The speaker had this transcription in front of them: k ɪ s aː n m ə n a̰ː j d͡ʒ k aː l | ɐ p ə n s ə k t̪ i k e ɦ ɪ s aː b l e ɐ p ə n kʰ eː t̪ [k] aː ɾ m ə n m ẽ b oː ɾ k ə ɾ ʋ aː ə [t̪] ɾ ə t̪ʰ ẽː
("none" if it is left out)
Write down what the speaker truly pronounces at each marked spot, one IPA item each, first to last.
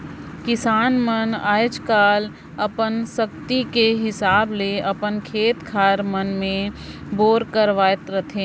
kʰ, t̪

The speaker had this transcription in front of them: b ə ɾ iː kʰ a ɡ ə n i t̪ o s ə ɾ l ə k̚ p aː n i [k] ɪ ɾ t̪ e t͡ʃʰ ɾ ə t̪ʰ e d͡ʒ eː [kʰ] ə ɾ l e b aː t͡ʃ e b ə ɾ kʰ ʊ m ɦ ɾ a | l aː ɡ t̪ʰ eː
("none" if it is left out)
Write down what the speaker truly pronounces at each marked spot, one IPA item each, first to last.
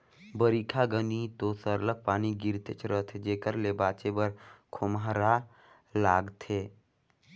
ɡ, k

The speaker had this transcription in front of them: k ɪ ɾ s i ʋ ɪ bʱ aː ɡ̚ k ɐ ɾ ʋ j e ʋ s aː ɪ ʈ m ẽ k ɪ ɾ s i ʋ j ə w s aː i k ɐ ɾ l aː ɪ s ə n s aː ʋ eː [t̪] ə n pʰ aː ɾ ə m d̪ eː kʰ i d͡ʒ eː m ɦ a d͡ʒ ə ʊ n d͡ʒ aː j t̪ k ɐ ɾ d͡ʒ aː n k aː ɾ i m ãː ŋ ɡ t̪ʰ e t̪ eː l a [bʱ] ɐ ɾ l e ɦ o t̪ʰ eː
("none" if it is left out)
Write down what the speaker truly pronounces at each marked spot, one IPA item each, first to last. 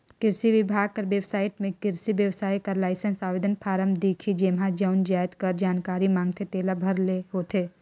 d̪, bʱ

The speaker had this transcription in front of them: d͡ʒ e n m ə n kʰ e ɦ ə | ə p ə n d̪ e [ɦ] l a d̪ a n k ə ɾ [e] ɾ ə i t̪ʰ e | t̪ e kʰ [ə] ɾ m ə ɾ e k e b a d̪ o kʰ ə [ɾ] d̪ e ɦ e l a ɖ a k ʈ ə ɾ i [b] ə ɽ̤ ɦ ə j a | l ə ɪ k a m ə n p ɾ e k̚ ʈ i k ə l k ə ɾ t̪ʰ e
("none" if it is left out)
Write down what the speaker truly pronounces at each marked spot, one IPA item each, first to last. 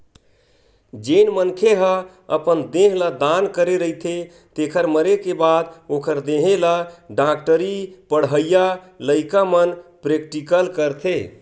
ɦ, e, ə, ɾ, p

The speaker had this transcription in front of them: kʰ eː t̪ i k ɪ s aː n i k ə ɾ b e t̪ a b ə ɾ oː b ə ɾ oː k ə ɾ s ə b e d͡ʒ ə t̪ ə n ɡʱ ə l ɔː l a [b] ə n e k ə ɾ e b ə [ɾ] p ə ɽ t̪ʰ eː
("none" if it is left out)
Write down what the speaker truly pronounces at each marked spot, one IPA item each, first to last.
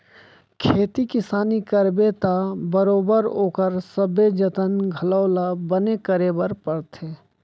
b, ɾ

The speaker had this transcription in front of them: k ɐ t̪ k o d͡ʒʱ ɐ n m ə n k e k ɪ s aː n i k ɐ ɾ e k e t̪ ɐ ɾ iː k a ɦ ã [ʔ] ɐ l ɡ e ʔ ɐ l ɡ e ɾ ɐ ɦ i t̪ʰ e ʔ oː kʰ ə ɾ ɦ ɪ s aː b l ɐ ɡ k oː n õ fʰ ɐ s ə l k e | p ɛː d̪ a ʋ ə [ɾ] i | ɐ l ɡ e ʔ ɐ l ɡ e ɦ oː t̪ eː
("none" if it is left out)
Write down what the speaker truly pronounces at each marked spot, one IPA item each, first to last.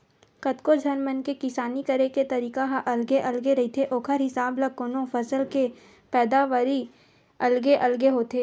ʔ, ɾ

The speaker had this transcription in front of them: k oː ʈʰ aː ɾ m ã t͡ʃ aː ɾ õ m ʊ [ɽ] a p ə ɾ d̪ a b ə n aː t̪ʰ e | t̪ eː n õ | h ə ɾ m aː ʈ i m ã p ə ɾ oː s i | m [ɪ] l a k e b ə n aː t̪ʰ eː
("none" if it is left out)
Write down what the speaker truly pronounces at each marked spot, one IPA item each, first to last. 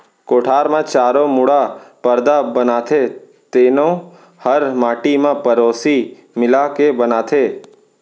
ɽ, ɪ

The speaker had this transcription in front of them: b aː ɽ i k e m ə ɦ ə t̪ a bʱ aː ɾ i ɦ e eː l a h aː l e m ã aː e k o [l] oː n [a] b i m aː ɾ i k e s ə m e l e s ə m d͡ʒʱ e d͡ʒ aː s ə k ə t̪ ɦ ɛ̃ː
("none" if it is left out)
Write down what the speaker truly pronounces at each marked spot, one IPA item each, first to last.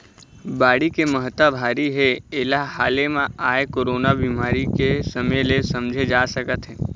ɾ, a

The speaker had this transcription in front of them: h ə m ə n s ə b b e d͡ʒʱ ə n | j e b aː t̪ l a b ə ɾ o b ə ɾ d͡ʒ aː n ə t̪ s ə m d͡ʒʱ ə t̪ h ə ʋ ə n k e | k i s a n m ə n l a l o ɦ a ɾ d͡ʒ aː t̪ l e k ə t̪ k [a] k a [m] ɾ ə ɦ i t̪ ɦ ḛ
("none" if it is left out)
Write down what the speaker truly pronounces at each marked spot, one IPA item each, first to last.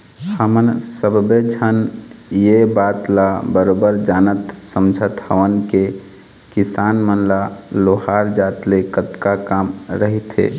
a, m

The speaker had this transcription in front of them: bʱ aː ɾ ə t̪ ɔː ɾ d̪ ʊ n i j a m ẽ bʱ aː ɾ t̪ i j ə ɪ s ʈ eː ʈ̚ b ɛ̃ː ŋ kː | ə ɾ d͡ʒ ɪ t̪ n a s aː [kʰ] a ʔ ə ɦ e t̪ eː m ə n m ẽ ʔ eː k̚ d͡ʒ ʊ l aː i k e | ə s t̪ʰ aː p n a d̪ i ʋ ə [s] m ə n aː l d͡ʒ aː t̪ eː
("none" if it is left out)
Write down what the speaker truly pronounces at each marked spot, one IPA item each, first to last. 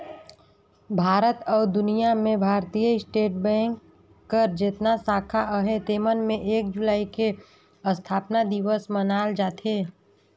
kʰ, s

